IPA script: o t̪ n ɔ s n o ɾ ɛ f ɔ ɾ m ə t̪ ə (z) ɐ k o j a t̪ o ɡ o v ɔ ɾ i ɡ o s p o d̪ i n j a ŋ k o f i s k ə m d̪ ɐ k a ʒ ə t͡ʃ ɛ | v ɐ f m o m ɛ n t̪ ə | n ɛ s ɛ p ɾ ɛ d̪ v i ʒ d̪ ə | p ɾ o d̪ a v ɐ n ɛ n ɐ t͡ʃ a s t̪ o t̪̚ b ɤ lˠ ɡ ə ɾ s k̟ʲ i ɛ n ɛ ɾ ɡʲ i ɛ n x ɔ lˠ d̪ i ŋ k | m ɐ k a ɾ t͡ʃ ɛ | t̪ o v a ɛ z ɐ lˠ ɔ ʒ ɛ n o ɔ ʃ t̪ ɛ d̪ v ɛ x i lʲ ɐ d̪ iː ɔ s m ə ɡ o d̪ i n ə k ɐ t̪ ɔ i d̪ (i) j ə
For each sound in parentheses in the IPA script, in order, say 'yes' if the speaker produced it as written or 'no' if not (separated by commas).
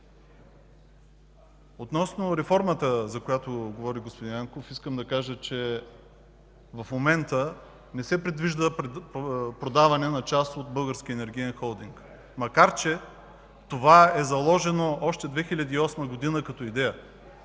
yes, no